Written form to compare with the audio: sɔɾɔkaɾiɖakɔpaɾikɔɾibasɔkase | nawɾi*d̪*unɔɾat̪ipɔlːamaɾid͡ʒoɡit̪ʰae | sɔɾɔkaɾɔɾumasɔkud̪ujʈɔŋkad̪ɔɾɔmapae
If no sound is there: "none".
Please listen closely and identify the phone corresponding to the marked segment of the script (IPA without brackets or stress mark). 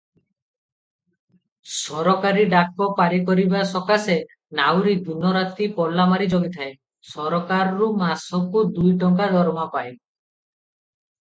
d̪